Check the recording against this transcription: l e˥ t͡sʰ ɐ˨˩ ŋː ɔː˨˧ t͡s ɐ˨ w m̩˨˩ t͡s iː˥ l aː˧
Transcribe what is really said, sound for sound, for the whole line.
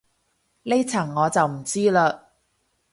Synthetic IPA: l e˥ t͡sʰ ɐ˨˩ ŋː ɔː˨˧ t͡s ɐ˨ w m̩˨˩ t͡s iː˥ l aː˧

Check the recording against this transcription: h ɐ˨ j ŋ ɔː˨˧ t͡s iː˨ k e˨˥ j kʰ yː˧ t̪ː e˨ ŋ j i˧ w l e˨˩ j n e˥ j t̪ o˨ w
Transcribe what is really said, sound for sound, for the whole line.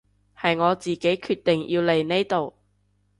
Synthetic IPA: h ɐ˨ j ŋ ɔː˨˧ t͡s iː˨ k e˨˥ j kʰ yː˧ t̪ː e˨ ŋ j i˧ w l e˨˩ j n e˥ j t̪ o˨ w

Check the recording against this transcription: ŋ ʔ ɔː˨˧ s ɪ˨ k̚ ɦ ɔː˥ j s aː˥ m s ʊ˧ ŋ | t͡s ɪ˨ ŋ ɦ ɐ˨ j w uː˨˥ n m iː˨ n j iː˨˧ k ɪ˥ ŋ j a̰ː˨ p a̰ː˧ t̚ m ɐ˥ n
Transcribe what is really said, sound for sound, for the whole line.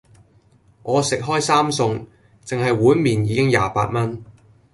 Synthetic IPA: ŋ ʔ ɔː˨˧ s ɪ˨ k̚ ɦ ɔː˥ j s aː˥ m s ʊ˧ ŋ | t͡s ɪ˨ ŋ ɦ ɐ˨ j w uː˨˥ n m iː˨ n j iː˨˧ k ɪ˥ ŋ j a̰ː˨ p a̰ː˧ t̚ m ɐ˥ n

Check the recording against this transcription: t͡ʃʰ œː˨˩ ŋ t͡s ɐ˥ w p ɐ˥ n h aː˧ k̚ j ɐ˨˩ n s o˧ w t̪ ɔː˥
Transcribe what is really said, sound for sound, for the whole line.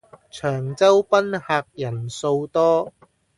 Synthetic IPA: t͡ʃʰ œː˨˩ ŋ t͡s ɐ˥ w p ɐ˥ n h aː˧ k̚ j ɐ˨˩ n s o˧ w t̪ ɔː˥

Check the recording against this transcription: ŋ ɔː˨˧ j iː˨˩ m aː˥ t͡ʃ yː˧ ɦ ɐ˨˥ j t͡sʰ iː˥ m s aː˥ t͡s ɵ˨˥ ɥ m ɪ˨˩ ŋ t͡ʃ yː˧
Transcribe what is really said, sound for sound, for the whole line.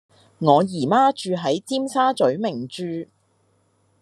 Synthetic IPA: ŋ ɔː˨˧ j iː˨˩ m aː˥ t͡ʃ yː˧ ɦ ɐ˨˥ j t͡s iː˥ m s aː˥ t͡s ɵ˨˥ ɥ m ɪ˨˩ ŋ t͡ʃ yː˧

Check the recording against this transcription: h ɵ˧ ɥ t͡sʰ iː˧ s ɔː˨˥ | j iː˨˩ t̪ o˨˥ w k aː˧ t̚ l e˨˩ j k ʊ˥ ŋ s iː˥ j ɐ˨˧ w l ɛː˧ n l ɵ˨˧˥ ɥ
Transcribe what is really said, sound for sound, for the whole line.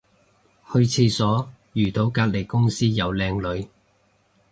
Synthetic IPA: h ɵ˧ ɥ t͡sʰ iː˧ s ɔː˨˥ | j yː˨˩ t̪ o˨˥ w k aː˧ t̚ l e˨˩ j k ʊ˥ ŋ s iː˥ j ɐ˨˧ w l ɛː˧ ŋ l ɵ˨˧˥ ɥ

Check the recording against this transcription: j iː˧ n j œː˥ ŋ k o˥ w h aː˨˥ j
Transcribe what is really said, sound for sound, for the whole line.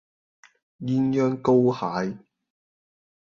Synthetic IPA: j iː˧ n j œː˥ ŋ k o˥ w h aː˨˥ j

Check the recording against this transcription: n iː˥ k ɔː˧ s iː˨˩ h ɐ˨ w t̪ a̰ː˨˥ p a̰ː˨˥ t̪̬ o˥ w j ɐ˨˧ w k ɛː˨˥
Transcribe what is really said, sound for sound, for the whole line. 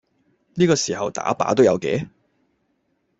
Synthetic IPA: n iː˥ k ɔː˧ s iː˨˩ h ɐ˨ w t̪ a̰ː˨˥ p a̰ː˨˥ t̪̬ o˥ w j ɐ˨˧ w k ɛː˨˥

